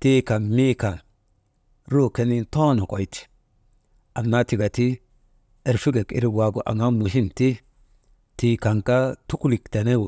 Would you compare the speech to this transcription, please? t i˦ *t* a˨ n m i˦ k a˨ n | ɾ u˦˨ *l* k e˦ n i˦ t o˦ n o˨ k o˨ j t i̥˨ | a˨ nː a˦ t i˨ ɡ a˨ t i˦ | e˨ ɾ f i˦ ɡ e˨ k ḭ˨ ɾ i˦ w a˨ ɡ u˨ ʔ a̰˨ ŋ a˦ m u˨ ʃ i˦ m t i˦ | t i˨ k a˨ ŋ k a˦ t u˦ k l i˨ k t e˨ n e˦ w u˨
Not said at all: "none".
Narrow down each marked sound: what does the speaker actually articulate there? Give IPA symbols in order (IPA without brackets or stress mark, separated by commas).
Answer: k, none